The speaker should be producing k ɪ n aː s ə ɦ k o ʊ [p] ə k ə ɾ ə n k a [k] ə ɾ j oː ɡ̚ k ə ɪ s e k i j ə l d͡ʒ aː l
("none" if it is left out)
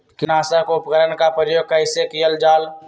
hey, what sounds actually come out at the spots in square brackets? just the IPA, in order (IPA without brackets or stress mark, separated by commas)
p, p